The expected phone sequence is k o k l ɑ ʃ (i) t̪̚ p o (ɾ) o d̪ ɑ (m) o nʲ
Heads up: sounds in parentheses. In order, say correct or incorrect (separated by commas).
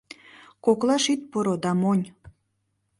correct, correct, correct